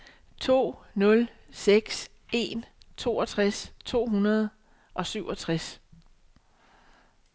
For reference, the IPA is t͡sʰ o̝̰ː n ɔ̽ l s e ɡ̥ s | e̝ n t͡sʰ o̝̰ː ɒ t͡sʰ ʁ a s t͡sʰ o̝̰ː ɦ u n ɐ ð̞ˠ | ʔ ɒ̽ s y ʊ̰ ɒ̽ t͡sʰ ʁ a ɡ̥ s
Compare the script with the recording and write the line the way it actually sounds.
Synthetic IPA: t͡sʰ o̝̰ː n ɔ̽ l s e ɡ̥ s | e̝ n t͡sʰ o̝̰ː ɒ t͡sʰ ʁ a s t͡sʰ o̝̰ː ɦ u n ɐ ð̞ˠ | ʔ ɒ̽ s y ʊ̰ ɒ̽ t͡sʰ ʁ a s